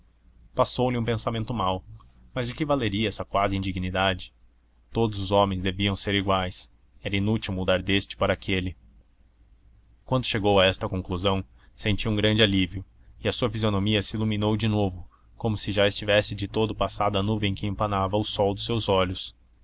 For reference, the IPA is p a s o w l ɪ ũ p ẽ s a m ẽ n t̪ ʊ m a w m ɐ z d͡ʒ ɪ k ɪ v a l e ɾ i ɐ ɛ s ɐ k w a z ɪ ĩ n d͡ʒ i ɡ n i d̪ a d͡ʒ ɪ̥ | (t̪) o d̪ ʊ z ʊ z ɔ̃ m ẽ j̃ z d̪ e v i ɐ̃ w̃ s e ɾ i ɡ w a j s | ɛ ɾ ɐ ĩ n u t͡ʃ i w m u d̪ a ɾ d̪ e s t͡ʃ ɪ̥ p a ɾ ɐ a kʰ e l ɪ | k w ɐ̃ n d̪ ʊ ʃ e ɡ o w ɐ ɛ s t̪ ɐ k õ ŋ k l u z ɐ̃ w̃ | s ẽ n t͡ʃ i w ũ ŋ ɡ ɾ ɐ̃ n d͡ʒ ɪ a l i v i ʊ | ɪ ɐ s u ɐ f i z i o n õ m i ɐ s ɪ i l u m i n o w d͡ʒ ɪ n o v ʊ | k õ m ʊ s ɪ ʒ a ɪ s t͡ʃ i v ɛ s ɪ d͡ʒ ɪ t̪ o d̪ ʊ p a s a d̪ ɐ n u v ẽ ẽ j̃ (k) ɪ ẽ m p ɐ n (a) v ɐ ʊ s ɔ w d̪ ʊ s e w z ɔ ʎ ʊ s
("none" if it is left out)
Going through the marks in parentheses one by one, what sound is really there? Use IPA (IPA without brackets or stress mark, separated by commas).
t̪, k, a